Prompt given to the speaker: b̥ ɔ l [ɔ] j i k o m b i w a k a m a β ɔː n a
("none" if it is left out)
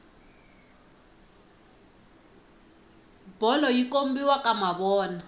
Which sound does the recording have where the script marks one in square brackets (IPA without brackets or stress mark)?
ɔ